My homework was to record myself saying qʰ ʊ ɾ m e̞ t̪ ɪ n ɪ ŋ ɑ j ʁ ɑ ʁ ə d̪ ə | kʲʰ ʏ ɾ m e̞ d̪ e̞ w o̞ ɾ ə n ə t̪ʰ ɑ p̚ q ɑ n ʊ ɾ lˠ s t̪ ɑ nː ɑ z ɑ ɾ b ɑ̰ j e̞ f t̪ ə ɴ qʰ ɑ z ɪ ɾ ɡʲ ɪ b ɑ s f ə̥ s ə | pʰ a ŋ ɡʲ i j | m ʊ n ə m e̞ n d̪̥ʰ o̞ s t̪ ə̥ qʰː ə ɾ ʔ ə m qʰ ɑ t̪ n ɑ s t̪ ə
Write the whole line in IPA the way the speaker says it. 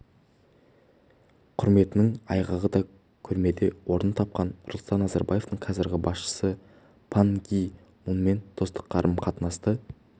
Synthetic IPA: qʰ ʊ ɾ m e̞ t̪ ɪ n ɪ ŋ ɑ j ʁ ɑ ʁ ə d̪ ɑ | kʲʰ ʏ ɾ m e̞ d̪ e̞ w o̞ ɾ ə n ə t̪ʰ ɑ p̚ q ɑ n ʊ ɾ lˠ s t̪ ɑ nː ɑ z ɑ ɾ b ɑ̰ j e̞ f t̪ ə ɴ qʰ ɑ z ɪ ɾ ɡʲ ɪ b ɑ s ʃ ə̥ s ə | pʰ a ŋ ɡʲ i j | m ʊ n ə m e̞ n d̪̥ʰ o̞ s t̪ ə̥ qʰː ɑ ɾ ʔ ə m qʰ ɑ t̪ n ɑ s t̪ ə